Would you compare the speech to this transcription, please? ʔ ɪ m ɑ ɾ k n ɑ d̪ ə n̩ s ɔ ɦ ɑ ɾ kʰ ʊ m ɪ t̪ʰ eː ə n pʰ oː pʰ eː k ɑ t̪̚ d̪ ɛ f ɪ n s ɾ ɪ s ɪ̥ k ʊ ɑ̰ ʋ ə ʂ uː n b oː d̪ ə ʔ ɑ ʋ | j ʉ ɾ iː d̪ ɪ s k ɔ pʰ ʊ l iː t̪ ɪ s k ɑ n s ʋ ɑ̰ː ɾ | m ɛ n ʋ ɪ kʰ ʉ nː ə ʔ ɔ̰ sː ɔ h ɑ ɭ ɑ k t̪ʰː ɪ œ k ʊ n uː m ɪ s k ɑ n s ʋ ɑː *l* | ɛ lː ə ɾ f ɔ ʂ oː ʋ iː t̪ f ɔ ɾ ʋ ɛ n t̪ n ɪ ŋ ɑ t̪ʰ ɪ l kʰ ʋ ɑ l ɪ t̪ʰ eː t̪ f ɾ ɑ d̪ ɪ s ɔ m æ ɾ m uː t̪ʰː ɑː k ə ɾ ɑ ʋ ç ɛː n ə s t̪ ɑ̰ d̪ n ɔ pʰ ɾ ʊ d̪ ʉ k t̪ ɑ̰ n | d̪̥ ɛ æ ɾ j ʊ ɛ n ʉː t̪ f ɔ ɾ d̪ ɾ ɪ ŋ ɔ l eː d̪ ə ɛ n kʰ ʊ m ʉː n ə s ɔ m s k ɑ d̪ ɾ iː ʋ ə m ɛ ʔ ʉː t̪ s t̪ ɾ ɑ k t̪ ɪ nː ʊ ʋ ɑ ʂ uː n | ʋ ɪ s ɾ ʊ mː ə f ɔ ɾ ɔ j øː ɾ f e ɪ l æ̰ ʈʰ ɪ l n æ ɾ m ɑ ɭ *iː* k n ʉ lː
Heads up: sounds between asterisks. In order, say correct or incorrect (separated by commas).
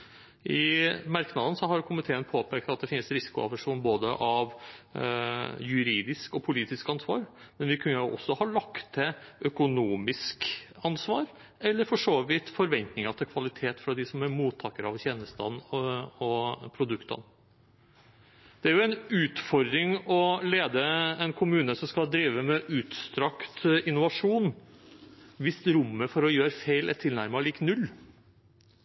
incorrect, correct